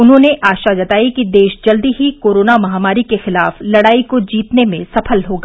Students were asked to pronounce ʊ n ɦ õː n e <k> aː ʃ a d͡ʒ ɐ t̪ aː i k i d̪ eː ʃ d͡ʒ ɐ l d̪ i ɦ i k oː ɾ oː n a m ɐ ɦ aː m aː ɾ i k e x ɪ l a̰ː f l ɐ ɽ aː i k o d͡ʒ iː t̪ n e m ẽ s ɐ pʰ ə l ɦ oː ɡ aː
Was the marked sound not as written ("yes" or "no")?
yes